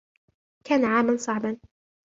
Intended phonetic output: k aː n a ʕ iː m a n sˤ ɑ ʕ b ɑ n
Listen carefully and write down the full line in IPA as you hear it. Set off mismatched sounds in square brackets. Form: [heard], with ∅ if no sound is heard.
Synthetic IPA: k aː n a ʕ [aː] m a n sˤ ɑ ʕ b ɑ n